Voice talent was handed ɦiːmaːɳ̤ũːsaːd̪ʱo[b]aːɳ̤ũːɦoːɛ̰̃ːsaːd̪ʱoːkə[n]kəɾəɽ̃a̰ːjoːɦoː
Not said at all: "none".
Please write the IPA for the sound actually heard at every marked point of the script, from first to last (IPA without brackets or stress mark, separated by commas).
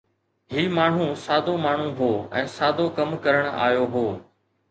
m, m